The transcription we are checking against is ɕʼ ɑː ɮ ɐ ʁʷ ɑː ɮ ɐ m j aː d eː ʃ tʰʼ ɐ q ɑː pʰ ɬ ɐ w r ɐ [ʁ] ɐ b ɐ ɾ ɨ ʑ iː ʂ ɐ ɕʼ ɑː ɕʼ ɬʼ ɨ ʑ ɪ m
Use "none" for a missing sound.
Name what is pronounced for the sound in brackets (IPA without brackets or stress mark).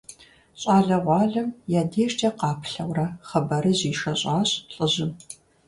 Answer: χ